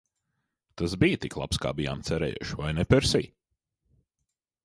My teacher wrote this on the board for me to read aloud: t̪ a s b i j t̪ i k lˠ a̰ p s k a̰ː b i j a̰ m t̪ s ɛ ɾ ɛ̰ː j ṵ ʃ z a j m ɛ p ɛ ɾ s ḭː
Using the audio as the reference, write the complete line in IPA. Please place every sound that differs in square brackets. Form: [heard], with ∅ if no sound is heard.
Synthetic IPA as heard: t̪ a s b i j t̪ i k lˠ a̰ p s k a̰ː b i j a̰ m t̪ s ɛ ɾ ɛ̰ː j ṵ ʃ [v] a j [n] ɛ p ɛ ɾ s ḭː